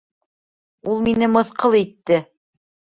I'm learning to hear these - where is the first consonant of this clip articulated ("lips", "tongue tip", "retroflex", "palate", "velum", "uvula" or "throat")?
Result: tongue tip